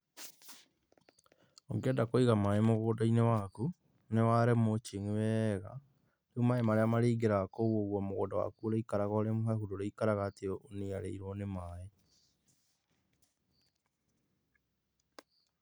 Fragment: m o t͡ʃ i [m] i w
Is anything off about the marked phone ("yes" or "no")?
yes